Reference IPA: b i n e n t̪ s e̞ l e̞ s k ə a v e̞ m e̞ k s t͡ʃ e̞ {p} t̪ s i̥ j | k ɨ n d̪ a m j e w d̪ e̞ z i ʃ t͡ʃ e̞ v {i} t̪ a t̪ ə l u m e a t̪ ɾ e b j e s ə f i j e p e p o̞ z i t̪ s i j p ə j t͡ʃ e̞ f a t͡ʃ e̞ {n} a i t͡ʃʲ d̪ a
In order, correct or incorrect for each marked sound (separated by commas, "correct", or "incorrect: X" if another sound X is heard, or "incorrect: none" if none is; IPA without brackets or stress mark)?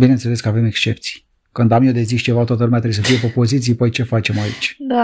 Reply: correct, incorrect: a, incorrect: m